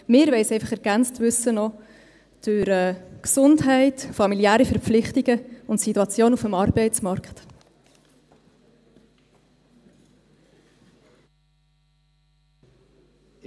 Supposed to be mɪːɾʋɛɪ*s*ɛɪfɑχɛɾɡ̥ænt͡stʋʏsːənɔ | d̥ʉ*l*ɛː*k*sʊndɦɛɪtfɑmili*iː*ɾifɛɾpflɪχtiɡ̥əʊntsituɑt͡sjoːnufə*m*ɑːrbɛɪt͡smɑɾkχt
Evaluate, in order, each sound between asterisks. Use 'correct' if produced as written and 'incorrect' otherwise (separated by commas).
correct, incorrect, correct, incorrect, correct